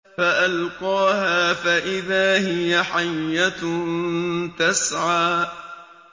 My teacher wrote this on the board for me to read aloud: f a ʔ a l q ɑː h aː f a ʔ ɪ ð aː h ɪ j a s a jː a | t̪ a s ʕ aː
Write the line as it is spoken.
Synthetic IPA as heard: f a ʔ a l q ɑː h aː f a ʔ ɪ ð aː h ɪ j a ħ a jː a | t̪ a s ʕ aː

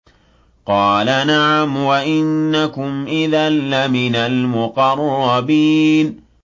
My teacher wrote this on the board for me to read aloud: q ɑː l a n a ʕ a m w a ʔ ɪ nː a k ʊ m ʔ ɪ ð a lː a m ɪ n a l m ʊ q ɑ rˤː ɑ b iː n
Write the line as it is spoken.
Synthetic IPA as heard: q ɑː l a n a ʕ a m w a ʔ ɪ nː a k ʊ m ʔ ɪ ð a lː a m ɪ n a l m ʊ q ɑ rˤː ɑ b iː n

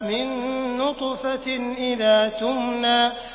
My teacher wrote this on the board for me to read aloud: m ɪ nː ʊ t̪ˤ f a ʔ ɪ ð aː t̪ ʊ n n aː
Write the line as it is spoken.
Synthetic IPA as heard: m ɪ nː ʊ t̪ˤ f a ʔ ɪ ð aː t̪ ʊ m n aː

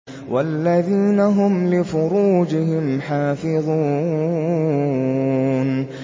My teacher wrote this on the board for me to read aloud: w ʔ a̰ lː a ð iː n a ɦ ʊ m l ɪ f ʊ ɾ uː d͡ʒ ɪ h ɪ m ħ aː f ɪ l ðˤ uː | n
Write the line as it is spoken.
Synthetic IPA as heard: w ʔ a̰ lː a ð iː n a ɦ ʊ m l ɪ f ʊ ɾ uː d͡ʒ ɪ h ɪ m ħ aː f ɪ ðˤ uː | n

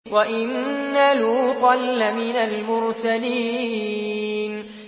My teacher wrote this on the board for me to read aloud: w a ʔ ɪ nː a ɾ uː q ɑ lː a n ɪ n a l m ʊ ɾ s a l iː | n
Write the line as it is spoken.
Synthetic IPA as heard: w a ʔ ɪ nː a l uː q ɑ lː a m ɪ n a l m ʊ ɾ s a l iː | n

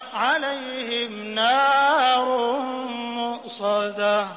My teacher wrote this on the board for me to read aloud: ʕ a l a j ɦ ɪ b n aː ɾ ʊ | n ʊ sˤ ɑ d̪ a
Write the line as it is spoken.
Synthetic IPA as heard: ʕ a l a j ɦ ɪ m n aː ɾ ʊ | m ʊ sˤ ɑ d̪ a

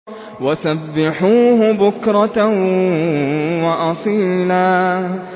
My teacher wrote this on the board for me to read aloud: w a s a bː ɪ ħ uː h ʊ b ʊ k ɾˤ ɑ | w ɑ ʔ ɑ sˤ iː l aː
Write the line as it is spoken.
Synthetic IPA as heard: w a s a bː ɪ ħ uː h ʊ b ʊ k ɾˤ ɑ | w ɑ ʔ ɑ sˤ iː l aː

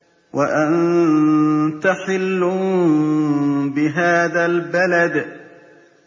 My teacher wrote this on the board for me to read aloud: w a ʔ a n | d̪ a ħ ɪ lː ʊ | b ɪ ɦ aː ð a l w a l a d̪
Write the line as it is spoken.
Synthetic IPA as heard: w a ʔ a n | t̪ a ħ ɪ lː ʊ | b ɪ ɦ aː ð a l b a l a d̪

